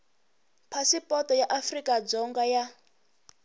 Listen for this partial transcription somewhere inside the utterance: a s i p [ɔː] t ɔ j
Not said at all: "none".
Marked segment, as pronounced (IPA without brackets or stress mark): ɔ